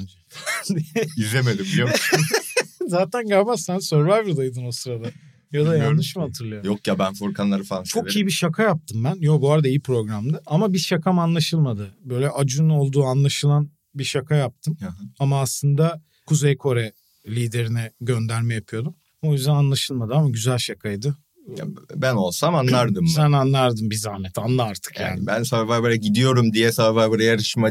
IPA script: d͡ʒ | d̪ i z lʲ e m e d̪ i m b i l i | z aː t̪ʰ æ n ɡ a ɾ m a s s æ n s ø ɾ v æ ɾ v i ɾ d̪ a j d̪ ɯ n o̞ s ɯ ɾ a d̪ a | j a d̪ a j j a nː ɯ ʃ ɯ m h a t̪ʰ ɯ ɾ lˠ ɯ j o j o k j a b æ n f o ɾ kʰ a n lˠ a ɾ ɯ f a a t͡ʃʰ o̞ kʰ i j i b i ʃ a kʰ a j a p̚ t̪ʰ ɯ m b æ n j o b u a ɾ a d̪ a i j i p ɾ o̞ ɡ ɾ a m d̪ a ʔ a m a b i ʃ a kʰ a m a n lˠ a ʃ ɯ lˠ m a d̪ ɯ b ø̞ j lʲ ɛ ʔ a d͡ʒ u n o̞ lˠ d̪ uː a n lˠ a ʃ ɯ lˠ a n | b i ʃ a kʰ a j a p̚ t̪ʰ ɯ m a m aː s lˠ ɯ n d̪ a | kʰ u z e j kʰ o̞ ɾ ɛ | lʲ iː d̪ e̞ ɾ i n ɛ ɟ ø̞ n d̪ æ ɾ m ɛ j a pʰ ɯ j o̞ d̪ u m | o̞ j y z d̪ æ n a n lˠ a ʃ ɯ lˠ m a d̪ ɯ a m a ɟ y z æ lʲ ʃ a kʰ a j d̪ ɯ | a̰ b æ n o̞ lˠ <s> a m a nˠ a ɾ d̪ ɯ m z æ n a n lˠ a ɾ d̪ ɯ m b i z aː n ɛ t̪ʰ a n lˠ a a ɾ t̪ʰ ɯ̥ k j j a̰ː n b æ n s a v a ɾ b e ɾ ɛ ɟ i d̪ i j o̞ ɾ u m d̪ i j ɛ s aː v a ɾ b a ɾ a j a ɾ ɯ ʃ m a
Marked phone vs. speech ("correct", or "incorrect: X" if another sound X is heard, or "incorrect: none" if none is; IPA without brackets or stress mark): correct